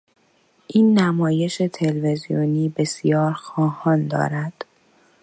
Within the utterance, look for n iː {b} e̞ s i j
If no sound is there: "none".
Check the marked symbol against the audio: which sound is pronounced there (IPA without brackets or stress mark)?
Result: b